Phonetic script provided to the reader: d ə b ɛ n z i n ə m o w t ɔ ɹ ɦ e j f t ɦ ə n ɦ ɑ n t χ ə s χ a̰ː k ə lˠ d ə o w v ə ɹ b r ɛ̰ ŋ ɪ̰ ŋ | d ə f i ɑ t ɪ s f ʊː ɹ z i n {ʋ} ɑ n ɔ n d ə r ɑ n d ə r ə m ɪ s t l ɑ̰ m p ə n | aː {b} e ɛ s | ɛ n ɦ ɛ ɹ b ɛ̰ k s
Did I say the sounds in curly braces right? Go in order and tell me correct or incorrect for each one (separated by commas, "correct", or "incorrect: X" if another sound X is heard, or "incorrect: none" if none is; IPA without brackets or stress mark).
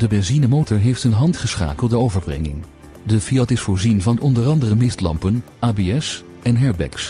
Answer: incorrect: v, correct